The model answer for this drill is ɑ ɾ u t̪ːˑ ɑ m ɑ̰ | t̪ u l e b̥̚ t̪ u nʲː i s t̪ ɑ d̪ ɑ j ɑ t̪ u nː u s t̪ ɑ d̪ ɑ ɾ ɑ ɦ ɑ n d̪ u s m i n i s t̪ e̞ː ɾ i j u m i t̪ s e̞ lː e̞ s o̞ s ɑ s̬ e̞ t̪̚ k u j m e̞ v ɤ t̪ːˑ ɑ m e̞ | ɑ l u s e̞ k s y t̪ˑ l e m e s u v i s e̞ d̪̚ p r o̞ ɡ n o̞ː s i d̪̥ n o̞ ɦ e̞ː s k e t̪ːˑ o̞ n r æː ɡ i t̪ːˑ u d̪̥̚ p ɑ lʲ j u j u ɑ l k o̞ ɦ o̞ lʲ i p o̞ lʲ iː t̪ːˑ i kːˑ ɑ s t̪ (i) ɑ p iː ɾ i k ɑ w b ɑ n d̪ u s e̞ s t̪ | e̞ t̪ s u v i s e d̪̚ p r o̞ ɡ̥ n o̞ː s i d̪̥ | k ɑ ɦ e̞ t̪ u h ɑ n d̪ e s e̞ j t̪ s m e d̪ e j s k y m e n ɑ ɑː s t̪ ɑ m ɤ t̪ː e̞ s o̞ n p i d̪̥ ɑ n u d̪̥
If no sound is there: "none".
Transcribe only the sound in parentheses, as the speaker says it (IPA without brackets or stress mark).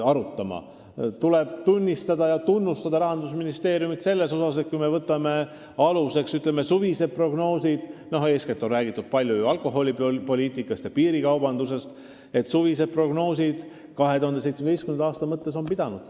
j